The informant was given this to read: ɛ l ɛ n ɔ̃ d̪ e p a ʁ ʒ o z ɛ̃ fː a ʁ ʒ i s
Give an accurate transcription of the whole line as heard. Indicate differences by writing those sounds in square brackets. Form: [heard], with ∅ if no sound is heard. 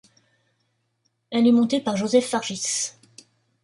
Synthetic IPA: ɛ l ɛ [m] ɔ̃ [t̪] e p a ʁ ʒ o z [ɛ] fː a ʁ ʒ i s